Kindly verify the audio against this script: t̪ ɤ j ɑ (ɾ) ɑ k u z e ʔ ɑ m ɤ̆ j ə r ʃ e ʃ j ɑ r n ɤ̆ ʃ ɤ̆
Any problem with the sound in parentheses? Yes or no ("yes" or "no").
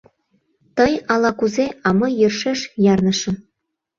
yes